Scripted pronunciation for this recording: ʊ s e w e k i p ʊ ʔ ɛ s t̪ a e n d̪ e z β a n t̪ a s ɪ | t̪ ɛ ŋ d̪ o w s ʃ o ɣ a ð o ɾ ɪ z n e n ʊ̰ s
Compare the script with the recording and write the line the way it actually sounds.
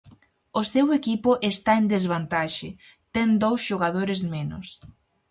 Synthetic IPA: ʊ s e w e k i p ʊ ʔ e s t̪ a e n d̪ e z β a n t̪ a ʃ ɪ | t̪ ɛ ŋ d̪ o w s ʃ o ɣ a ð o ɾ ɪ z m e n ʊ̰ s